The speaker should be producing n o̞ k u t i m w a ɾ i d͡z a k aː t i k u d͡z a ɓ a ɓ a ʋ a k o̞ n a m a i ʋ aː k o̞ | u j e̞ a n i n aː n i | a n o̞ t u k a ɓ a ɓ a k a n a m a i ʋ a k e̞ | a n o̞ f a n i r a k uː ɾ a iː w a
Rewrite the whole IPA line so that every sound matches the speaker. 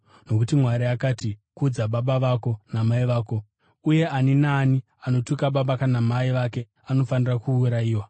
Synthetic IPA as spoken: n o̞ k u t i m w a ɾ i a k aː t i k u d͡z a ɓ a ɓ a ʋ a k o̞ n a m a i ʋ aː k o̞ | u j e̞ a n i n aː n i | a n o̞ t u k a ɓ a ɓ a k a n a m a i ʋ a k e̞ | a n o̞ f a n i r a k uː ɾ a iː w a